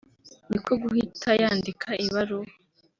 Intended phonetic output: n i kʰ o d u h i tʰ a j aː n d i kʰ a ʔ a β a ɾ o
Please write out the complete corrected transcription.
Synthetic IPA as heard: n i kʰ o ɡ u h i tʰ a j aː n d i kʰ a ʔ i β a ɾ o